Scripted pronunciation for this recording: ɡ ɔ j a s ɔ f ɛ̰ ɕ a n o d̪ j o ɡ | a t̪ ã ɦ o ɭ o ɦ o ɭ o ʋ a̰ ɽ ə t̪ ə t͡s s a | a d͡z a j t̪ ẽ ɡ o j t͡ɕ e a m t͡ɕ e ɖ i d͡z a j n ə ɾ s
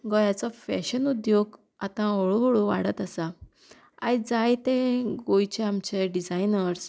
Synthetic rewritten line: ɡ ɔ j a t͡s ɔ f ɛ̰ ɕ ə n u d̪ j o ɡ | a t̪ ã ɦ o ɭ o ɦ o ɭ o ʋ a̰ ɽ ə t̪ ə s a | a d͡z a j t̪ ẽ ɡ o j t͡ɕ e a m t͡ɕ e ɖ i d͡z a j n ə ɾ s